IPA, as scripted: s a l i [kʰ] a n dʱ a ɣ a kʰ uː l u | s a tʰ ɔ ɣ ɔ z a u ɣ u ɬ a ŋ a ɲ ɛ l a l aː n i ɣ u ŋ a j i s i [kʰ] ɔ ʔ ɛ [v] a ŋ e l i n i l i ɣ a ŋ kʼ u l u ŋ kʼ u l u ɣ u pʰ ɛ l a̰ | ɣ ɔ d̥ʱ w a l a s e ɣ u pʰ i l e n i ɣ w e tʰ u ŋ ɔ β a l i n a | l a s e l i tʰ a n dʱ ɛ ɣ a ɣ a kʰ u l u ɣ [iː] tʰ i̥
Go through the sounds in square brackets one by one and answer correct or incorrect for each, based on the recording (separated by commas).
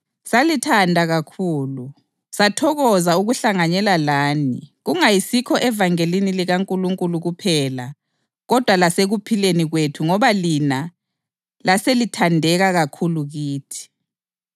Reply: incorrect, correct, correct, correct